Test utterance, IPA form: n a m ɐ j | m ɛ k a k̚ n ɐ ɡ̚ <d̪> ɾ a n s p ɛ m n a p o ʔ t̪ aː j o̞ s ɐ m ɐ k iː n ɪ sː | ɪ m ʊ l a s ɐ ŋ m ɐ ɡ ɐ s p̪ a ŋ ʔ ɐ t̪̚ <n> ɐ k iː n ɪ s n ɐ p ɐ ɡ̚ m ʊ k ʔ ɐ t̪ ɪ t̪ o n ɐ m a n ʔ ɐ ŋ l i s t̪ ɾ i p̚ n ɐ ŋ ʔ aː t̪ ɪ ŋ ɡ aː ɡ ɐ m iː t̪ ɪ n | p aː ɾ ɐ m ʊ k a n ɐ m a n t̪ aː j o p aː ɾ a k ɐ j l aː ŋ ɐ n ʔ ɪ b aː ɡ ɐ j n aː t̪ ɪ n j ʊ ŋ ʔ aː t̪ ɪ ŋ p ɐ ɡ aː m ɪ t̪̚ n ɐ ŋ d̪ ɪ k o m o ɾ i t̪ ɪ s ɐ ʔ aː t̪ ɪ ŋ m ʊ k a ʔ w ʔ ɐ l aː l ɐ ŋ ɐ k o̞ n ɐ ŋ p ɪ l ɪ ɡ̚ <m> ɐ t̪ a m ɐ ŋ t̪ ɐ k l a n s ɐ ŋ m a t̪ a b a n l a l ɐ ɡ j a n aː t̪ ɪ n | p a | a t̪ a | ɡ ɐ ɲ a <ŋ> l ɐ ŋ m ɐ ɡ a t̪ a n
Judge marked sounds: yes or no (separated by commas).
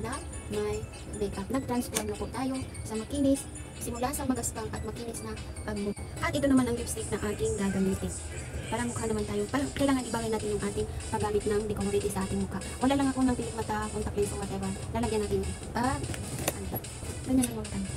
no, no, yes, no